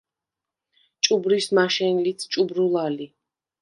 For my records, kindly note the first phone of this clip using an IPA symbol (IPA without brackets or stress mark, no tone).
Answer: t͡ʃʼ